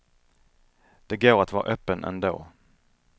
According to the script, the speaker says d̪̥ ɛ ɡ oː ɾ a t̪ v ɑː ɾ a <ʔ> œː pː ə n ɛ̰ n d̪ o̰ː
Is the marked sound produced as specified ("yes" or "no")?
yes